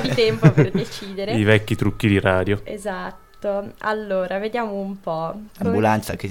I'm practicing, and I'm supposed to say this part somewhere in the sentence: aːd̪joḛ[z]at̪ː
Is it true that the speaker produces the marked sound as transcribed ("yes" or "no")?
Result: yes